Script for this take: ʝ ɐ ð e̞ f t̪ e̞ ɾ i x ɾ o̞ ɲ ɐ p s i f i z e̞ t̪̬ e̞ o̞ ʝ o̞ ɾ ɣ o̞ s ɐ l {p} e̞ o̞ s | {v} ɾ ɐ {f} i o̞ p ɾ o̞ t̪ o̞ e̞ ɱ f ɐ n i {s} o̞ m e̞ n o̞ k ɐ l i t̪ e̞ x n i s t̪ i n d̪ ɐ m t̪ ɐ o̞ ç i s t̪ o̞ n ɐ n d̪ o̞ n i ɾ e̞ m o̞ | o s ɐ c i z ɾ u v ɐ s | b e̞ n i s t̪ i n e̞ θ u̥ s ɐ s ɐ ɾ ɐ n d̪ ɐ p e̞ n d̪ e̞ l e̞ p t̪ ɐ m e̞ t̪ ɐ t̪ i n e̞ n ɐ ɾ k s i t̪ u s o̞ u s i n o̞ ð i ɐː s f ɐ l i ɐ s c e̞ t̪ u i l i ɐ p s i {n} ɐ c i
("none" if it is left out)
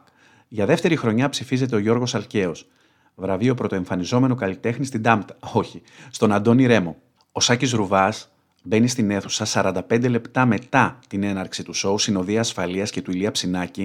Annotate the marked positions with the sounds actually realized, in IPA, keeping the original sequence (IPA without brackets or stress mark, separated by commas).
c, v, v, z, n